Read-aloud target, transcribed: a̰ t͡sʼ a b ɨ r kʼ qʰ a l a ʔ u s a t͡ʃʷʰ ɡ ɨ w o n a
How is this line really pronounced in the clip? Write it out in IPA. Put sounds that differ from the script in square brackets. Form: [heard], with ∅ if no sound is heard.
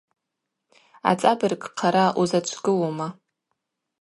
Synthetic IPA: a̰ t͡sʼ a b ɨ r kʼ qʰ a [ɾ] a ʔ u [z] a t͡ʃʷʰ ɡ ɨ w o [m] a